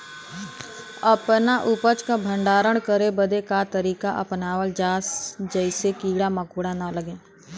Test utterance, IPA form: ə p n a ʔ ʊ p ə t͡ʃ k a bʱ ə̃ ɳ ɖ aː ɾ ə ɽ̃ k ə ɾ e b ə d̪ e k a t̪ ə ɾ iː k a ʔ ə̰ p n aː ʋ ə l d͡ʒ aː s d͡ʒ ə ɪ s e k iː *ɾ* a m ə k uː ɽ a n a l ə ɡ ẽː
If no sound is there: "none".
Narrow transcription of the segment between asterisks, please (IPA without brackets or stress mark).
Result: ɽ